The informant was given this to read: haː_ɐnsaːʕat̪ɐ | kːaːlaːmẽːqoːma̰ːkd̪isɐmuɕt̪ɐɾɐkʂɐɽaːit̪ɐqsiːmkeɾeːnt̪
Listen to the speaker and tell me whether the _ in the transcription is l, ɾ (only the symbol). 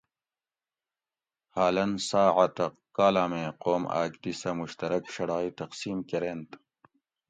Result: l